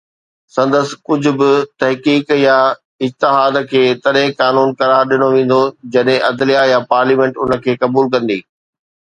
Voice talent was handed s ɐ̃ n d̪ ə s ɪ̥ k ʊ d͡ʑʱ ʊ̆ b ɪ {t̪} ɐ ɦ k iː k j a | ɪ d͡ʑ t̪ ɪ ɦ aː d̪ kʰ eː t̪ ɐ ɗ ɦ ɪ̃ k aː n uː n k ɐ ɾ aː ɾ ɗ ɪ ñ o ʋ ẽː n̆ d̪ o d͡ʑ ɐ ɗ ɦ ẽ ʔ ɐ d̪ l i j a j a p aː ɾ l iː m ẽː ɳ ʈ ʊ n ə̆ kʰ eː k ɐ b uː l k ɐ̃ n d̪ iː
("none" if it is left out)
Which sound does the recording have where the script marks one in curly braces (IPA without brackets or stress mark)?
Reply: t̪